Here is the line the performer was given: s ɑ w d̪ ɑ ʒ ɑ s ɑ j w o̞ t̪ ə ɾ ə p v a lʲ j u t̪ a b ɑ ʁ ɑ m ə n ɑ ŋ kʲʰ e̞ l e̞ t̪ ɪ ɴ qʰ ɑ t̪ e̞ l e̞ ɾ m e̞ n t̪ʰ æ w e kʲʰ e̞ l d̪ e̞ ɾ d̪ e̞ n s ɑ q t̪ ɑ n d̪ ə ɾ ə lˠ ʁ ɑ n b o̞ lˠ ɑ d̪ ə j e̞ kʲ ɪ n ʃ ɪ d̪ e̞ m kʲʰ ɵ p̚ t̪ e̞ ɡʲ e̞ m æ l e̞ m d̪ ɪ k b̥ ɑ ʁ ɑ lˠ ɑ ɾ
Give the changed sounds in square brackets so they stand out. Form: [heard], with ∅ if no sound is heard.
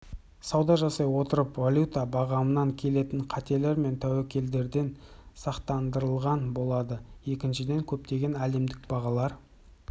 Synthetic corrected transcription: s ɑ w d̪ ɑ ʒ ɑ s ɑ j w o̞ t̪ ə ɾ ə p v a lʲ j u t̪ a b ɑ ʁ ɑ m ə n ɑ ŋ kʲʰ e̞ l e̞ t̪ ɪ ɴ qʰ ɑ t̪ e̞ l e̞ ɾ m e̞ n t̪ʰ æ w e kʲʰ e̞ l d̪ e̞ ɾ d̪ e̞ n s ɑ q t̪ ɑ n d̪ ə ɾ ə lˠ ʁ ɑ n b o̞ lˠ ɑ d̪ ə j e̞ kʲ ɪ n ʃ ɪ d̪ e̞ [ŋ] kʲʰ ɵ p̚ t̪ e̞ ɡʲ e̞ [n] æ l e̞ m d̪ ɪ k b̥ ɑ ʁ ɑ lˠ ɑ ɾ